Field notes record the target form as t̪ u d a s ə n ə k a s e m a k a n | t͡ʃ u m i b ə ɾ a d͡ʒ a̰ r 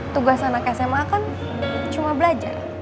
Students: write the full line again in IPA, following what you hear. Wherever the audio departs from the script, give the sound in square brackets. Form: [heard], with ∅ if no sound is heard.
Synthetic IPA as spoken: t̪ u [ɡ] a s [a] n [a] k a s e m a k a n | t͡ʃ u m [a] b ə [l] a d͡ʒ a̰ r